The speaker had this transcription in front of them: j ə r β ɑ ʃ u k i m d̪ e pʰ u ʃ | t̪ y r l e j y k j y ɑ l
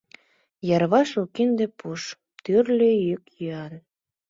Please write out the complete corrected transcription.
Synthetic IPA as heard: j ɑ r β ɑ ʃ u k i n d̪ e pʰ u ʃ | t̪ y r l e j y k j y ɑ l